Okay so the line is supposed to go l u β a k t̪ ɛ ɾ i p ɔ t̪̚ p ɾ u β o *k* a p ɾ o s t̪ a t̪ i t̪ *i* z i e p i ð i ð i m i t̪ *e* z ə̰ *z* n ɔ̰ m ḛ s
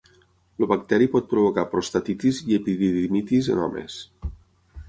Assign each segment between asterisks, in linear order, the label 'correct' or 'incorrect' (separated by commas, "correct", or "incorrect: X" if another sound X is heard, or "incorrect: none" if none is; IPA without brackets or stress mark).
correct, correct, incorrect: i, incorrect: none